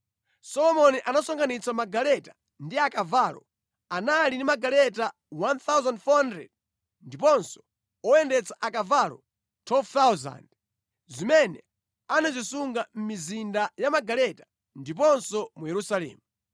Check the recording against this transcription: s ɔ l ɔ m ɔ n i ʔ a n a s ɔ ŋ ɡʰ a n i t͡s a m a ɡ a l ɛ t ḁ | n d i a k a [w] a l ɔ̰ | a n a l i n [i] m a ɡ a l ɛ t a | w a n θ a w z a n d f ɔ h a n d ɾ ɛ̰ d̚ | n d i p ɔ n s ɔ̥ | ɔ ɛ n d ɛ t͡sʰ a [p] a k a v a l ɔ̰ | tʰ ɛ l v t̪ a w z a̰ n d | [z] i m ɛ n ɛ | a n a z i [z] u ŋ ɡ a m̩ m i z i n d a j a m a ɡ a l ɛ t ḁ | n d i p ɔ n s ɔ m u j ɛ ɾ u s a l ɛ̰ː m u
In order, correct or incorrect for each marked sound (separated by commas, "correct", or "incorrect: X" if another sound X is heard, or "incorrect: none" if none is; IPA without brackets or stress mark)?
incorrect: v, correct, incorrect: ʔ, correct, incorrect: s